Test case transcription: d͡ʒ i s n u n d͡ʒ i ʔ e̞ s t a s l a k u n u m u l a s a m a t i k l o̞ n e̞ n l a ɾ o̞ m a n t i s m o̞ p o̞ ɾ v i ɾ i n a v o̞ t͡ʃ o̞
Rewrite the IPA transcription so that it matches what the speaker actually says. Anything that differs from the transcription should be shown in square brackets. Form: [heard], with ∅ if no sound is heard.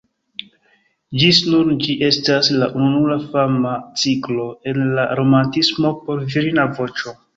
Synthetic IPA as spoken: d͡ʒ i s n u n d͡ʒ i ʔ e̞ s t a s l a [ʔ] u n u [n] u l a [f] a m a [t͡s] i k l o̞ [∅] e̞ n l a ɾ o̞ m a n t i s m o̞ p o̞ ɾ v i ɾ i n a v o̞ t͡ʃ o̞